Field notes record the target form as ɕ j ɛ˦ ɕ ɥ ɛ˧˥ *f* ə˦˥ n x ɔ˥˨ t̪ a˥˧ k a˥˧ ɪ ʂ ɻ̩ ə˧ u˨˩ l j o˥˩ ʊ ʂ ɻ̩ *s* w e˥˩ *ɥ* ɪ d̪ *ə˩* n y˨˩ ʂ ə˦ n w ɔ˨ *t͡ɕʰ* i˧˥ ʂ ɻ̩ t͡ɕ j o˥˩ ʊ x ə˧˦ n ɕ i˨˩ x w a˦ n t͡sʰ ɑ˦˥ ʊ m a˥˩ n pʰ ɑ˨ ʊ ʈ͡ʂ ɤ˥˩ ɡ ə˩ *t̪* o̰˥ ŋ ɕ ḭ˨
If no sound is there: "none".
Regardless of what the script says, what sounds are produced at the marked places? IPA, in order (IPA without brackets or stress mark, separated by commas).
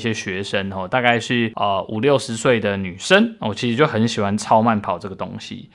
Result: ʂ, s, none, ə˩, t͡ɕʰ, t̪